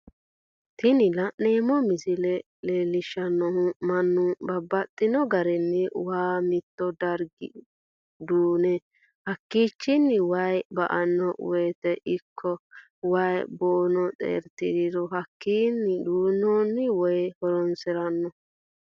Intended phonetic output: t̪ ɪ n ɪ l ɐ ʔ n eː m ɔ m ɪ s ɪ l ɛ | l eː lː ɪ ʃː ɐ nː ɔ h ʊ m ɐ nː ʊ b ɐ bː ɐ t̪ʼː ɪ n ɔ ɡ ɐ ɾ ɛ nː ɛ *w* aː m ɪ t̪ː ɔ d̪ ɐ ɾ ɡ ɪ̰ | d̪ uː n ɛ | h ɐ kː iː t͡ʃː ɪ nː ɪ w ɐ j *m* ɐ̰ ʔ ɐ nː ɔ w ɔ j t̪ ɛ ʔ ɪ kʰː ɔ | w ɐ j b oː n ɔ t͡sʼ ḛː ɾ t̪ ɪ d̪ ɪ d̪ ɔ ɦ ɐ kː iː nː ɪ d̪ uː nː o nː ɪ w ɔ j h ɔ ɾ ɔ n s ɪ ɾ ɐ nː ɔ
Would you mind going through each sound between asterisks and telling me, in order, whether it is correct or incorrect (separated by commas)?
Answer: correct, incorrect